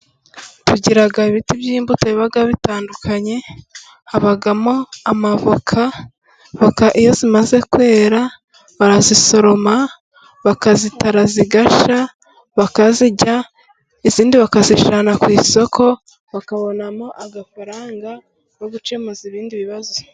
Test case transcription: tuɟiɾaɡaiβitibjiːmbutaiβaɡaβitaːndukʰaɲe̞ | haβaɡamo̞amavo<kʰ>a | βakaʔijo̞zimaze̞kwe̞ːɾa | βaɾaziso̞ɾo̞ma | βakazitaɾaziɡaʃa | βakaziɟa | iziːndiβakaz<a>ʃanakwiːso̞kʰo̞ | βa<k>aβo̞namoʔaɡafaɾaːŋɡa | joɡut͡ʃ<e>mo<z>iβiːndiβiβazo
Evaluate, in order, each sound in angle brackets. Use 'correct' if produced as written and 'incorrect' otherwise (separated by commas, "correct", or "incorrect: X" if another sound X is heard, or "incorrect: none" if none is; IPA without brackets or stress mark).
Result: correct, incorrect: i, correct, correct, correct